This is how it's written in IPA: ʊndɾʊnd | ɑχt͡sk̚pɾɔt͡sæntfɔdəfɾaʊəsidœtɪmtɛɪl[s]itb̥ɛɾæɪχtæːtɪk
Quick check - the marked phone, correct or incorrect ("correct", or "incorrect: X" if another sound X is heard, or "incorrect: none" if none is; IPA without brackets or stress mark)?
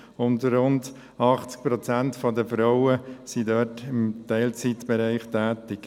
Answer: incorrect: t͡s